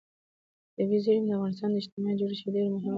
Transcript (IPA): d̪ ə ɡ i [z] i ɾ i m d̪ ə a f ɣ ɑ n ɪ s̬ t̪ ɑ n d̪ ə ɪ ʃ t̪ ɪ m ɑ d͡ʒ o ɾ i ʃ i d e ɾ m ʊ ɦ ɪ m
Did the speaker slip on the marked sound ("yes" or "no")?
no